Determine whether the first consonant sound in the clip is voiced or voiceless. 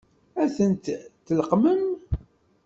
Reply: voiceless